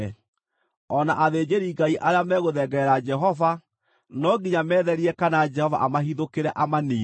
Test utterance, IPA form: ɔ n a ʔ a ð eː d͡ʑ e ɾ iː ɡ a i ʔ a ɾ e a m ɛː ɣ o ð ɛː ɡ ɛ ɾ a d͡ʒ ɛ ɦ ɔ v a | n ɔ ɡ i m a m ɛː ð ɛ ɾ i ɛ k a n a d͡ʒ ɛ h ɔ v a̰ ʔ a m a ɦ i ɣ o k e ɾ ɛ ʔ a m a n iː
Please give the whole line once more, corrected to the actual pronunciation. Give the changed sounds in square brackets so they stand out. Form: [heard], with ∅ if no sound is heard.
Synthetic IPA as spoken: ɔ n a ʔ a ð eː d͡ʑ e ɾ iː ɡ a i ʔ a ɾ e a m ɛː ɣ o ð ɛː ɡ ɛ ɾ a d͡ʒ ɛ ɦ ɔ v a | n ɔ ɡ i [ɲ] a m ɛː ð ɛ ɾ i ɛ k a n a d͡ʒ ɛ h ɔ v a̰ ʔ a m a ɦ i [ð] o k e ɾ ɛ ʔ a m a n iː